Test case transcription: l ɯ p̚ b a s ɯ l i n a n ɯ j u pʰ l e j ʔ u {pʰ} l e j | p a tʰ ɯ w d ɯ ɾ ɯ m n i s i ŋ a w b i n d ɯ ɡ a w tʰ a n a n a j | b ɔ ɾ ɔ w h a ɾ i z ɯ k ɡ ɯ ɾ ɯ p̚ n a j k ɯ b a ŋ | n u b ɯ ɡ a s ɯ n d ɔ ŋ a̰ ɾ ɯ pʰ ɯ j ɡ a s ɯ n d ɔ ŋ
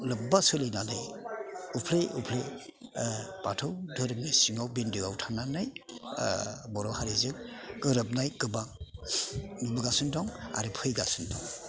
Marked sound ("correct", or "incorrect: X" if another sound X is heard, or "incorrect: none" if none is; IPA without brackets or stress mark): correct